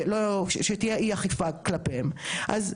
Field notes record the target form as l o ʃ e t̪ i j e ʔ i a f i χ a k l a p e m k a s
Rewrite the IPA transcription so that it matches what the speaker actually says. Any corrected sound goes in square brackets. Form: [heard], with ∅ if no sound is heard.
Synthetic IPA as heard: l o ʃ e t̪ i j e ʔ i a [χ] i [f] a k l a p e m [ʔ] a [z]